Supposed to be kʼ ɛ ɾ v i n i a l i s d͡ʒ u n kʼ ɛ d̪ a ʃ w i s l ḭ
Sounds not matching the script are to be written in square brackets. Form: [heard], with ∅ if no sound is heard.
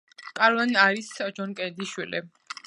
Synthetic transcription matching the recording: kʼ [a] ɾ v [a] n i a [ɾ] i s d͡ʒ [ɔ] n kʼ ɛ d̪ [i] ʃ w i [∅] l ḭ